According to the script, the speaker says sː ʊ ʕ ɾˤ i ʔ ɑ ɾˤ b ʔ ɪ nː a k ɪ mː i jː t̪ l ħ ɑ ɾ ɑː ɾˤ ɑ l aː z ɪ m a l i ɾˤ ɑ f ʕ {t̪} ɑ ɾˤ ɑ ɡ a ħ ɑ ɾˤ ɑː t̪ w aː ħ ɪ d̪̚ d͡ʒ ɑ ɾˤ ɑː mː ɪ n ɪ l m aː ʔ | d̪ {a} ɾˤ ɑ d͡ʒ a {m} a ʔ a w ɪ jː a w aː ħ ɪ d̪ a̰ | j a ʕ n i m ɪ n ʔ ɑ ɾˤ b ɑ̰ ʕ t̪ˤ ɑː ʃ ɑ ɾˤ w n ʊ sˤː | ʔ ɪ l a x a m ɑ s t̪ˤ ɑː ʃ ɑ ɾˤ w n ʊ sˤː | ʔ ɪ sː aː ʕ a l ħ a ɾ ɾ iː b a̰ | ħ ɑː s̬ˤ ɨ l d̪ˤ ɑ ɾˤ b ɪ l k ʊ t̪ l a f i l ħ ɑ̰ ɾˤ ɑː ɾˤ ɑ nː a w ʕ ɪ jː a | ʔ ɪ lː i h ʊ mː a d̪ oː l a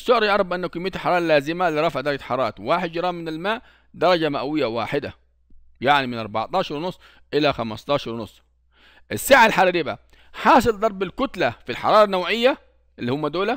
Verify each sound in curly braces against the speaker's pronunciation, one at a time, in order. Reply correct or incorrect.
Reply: incorrect, incorrect, correct

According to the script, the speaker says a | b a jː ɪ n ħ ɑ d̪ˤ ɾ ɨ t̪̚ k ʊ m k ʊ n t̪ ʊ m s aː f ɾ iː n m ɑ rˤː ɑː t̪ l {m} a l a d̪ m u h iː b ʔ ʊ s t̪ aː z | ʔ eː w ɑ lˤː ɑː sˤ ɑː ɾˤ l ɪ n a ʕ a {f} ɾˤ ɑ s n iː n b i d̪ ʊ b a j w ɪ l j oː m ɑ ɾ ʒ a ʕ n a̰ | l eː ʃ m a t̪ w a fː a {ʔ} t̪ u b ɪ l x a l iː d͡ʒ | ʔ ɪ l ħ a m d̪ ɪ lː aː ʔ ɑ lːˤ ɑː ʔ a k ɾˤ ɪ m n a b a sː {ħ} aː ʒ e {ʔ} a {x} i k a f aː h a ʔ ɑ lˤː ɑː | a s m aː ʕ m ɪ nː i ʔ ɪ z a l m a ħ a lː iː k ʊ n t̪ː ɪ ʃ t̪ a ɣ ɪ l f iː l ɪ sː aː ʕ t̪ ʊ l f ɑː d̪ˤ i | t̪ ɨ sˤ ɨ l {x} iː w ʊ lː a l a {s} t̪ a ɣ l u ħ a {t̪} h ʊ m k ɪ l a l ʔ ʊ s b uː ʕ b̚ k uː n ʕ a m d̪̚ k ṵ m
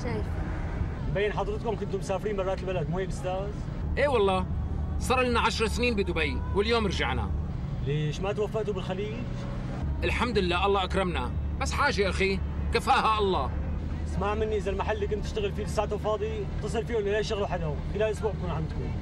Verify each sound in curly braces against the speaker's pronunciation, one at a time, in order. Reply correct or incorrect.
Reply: incorrect, incorrect, correct, correct, correct, correct, incorrect, incorrect, incorrect

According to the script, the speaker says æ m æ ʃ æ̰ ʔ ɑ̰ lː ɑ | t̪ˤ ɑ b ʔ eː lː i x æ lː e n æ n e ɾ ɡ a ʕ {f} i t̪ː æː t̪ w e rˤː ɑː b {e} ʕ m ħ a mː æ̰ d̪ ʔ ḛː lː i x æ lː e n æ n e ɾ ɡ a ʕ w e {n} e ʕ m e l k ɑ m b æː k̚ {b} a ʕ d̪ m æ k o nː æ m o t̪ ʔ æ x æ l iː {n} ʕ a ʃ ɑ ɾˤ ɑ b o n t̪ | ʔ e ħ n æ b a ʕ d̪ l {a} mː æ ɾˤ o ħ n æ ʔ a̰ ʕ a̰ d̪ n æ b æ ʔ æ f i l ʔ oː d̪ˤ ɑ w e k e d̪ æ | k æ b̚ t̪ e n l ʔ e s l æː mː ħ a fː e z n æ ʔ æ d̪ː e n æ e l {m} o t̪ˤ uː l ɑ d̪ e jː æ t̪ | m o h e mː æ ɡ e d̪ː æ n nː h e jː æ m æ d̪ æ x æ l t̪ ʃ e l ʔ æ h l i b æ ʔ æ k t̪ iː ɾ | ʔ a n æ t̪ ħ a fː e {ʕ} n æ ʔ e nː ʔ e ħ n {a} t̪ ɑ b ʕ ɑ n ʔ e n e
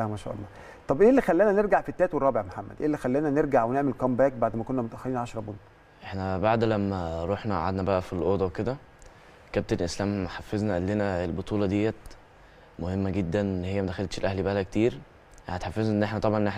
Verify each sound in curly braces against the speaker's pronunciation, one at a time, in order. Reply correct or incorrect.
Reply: correct, correct, correct, correct, correct, incorrect, incorrect, incorrect, incorrect

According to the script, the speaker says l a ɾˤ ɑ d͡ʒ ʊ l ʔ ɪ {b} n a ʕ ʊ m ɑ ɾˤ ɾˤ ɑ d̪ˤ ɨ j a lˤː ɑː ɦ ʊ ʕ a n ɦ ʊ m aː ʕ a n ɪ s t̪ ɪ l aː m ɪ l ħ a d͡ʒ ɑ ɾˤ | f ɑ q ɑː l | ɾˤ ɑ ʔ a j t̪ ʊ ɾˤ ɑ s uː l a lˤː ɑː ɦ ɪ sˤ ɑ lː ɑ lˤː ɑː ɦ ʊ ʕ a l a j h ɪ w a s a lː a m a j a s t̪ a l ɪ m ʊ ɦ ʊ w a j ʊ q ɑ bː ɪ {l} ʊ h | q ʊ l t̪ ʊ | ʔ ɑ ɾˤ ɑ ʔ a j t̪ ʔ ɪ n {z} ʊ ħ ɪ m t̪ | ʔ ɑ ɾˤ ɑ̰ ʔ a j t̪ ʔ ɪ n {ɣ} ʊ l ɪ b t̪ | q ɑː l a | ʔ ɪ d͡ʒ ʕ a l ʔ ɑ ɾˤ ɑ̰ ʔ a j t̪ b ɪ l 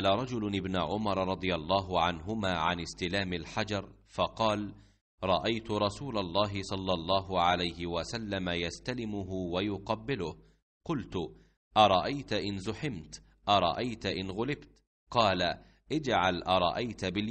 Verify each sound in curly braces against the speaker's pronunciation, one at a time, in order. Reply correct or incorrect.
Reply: correct, correct, correct, correct

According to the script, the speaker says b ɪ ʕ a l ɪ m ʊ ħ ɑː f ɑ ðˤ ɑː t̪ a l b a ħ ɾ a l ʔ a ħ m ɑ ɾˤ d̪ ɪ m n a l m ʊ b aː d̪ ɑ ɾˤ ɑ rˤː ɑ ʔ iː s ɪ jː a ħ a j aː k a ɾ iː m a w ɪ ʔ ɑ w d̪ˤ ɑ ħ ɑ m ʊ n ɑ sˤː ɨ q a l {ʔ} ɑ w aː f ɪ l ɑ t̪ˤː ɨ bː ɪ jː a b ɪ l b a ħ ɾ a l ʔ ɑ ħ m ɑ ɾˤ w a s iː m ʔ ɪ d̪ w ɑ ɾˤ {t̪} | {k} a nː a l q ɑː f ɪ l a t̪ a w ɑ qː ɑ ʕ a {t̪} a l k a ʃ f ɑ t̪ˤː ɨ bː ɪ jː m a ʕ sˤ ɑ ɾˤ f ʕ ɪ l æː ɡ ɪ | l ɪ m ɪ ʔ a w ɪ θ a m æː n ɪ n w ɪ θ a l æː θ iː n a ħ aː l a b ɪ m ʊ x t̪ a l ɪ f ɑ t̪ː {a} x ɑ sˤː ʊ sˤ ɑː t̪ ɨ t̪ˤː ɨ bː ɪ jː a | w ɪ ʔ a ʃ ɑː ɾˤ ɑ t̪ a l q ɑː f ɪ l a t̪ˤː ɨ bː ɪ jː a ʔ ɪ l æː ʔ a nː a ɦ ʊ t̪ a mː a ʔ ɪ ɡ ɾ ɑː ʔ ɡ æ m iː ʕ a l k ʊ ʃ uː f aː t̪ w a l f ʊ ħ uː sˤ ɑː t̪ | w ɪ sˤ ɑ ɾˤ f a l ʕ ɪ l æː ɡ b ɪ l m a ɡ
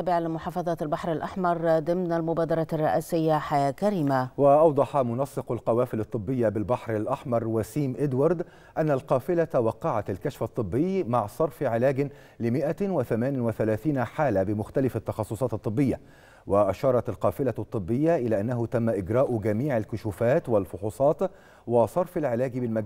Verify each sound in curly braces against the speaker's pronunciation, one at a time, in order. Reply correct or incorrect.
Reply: incorrect, incorrect, incorrect, correct, incorrect

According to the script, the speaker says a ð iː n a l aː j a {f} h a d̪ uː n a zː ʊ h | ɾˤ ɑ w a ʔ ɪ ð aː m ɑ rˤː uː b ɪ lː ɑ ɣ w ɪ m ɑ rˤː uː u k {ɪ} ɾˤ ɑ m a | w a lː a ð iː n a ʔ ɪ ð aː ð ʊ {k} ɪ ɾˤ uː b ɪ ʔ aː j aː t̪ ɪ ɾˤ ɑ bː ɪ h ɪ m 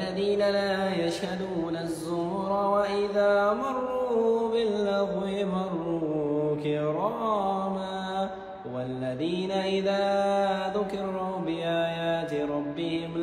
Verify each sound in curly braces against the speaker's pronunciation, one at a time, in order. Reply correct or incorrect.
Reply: incorrect, correct, correct

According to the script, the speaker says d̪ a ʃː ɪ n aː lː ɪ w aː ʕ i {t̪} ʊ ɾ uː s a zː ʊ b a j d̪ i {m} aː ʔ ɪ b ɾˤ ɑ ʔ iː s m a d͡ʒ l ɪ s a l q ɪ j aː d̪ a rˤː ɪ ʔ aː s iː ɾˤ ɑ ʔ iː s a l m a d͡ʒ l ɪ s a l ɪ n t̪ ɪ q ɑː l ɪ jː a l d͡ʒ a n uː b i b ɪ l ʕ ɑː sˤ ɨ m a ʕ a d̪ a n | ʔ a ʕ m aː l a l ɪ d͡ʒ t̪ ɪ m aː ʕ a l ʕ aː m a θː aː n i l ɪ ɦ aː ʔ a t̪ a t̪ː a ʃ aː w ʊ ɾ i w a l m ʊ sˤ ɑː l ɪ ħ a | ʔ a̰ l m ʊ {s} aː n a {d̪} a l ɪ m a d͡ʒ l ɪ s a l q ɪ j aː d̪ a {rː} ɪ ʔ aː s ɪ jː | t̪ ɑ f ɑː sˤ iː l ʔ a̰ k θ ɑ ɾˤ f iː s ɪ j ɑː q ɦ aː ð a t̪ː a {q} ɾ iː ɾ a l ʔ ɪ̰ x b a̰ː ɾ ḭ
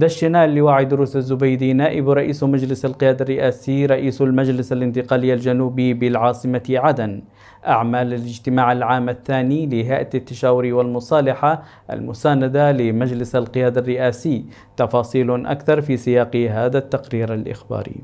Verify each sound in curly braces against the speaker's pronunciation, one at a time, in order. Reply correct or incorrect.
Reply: incorrect, incorrect, correct, correct, correct, correct

